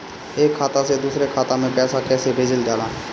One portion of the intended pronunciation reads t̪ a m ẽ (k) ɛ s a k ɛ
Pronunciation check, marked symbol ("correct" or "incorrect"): incorrect